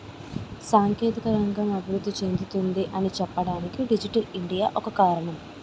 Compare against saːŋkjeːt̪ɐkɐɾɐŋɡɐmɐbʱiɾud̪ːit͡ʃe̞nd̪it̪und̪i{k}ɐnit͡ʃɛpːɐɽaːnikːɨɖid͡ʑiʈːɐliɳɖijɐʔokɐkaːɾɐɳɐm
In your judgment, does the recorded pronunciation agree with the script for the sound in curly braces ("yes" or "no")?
no